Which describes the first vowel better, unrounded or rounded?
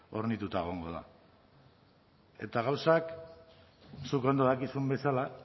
rounded